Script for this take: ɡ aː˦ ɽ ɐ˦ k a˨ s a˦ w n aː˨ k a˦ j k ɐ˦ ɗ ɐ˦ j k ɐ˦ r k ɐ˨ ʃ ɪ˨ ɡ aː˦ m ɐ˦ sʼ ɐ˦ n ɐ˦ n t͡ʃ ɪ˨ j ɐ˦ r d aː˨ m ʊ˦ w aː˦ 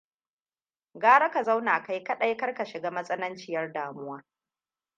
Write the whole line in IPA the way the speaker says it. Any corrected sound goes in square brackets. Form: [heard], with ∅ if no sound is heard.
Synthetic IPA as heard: ɡ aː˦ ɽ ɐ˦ k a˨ [z] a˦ w n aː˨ k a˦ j k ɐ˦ ɗ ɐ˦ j k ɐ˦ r k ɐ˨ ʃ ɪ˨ ɡ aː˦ m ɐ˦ sʼ ɐ˦ n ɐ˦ n t͡ʃ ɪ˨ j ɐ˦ r d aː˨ m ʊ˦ w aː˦